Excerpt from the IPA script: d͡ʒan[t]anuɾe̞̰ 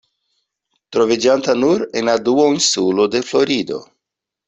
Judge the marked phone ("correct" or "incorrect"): correct